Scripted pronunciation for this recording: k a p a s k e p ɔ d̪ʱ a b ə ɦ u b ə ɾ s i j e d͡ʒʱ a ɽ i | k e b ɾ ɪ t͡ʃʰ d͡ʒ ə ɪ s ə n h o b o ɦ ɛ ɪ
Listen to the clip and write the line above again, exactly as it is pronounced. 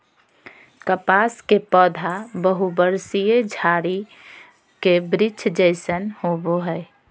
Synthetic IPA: k ə p a s k e p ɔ d̪ʱ a b ə ɦ u b ə ɾ s i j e d͡ʒʱ a ɾ i | k e b ɾ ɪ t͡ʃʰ d͡ʒ ə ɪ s ə n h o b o ɦ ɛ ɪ